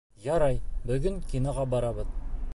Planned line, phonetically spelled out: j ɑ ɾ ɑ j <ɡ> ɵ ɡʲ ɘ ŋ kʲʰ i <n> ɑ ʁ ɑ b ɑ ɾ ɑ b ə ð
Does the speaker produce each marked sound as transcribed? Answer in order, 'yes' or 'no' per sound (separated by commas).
no, yes